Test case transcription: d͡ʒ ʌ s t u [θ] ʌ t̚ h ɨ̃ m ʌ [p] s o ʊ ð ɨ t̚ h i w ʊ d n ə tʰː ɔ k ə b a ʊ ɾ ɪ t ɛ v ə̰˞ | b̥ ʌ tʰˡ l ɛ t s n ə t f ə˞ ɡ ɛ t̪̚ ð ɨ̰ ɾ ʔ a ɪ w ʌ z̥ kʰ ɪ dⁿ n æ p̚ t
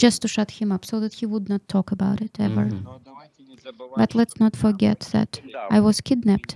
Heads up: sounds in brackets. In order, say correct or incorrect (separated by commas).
incorrect, correct